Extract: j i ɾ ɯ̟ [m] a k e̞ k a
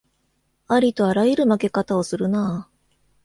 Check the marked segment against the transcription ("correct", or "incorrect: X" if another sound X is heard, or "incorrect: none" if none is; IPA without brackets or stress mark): correct